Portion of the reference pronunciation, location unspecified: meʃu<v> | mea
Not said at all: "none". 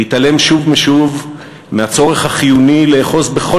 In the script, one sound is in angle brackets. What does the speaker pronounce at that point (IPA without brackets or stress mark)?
v